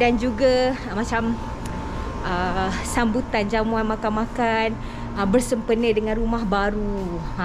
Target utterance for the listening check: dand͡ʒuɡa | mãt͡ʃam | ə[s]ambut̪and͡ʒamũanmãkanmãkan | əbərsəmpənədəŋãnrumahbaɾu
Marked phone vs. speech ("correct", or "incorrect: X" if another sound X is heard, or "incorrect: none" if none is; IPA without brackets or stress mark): correct